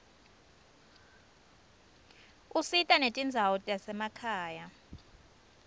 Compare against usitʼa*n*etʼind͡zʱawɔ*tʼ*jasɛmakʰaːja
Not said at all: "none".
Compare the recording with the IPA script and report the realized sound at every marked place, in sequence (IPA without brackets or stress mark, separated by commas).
n, tʼ